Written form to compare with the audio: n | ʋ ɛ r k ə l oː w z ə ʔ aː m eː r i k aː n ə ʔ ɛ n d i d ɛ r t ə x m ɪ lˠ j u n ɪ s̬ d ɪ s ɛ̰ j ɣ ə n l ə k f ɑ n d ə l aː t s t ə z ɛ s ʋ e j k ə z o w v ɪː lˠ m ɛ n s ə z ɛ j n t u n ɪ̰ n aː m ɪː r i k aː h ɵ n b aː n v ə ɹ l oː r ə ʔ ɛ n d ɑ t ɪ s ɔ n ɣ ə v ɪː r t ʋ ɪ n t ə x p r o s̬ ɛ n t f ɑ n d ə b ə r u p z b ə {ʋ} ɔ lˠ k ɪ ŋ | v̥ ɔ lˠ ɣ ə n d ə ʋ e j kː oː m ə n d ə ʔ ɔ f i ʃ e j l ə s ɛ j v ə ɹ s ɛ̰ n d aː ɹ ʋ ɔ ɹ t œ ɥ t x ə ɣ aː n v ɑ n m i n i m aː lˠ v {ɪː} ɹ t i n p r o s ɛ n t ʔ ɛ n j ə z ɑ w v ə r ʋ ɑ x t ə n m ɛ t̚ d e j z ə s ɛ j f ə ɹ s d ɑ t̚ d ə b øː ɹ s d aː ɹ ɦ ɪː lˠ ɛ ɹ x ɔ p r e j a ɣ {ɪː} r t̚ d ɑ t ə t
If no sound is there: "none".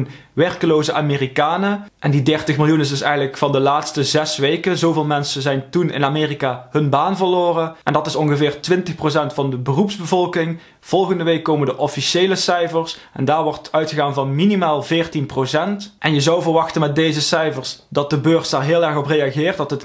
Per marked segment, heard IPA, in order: v, ɪː, ɪː

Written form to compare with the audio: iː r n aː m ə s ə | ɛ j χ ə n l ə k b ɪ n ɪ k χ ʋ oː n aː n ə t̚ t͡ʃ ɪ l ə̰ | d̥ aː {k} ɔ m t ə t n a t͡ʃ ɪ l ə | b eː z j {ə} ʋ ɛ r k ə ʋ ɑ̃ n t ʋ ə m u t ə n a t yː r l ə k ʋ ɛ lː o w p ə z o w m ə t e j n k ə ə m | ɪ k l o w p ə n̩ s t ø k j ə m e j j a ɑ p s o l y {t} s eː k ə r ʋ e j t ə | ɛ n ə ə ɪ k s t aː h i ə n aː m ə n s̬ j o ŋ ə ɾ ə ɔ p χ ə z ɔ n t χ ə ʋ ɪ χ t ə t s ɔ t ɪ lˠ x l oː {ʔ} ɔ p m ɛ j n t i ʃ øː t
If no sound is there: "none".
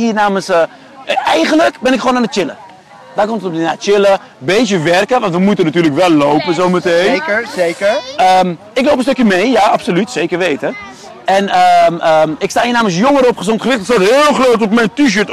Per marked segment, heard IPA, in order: k, ə, t, t

